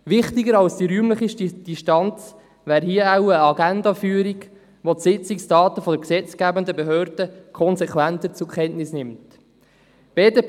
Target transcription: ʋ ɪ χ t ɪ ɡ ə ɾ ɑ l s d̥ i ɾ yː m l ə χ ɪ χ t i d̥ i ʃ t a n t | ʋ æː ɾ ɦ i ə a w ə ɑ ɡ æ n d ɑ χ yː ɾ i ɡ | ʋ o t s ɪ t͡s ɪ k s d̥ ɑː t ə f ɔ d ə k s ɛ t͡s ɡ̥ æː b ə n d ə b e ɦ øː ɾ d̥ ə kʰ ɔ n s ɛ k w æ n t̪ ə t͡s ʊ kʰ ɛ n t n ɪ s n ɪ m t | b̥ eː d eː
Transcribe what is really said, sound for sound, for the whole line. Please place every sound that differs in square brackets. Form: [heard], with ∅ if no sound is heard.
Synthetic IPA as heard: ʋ ɪ χ t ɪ ɡ ə ɾ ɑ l s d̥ i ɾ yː m l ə χ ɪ [ʃ] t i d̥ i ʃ t [ɑ] n [t͡s] | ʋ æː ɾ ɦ i ə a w ə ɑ ɡ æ n d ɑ [f] yː ɾ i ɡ | ʋ o t s ɪ t͡s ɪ k s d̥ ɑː t ə f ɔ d ə k s ɛ t͡s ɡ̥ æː b ə n d ə b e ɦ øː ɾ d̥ ə kʰ ɔ n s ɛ k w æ n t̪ ə t͡s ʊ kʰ ɛ n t n ɪ s n ɪ m t | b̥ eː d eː